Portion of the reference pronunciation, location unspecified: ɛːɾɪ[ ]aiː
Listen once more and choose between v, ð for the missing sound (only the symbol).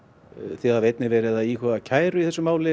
ð